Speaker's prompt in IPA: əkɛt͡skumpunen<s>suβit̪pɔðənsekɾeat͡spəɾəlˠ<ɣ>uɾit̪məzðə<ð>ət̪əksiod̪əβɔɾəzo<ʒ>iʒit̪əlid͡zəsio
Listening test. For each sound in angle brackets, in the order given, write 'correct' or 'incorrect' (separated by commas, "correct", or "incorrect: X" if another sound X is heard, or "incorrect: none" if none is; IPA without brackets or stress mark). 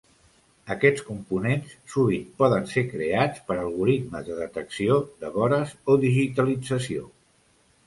correct, correct, correct, incorrect: ð